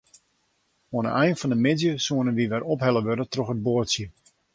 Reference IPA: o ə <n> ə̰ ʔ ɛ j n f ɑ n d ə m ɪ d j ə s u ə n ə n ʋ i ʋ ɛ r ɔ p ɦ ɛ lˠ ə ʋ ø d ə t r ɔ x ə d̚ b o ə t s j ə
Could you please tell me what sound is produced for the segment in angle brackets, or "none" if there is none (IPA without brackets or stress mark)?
n